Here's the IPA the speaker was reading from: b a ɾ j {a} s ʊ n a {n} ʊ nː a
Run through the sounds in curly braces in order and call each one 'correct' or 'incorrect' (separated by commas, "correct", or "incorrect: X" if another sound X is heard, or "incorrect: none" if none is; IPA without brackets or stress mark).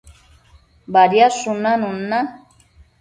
correct, correct